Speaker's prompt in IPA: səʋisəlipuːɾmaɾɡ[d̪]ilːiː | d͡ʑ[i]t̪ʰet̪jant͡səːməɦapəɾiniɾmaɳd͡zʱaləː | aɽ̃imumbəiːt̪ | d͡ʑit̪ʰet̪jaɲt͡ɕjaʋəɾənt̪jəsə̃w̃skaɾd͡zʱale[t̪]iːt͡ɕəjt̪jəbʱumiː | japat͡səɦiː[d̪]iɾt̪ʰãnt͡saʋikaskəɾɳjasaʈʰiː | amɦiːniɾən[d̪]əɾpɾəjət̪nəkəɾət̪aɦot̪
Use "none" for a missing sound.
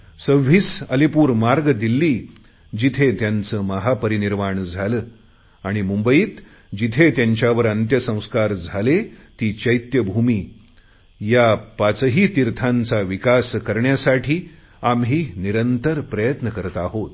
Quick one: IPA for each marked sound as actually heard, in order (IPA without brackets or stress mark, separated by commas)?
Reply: d̪, i, t̪, t̪, t̪